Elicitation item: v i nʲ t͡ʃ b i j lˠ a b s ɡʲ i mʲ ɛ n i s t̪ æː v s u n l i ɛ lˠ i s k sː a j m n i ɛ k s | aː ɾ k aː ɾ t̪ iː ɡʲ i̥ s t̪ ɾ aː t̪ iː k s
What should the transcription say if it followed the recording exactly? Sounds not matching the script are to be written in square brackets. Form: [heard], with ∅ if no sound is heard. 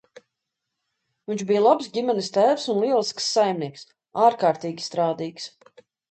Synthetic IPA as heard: v i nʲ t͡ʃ b i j lˠ a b s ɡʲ i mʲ ɛ n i s t̪ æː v s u n l i ɛ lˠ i s k sː a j m n i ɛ k s | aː ɾ k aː ɾ t̪ iː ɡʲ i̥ s t̪ ɾ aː [d̪] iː k s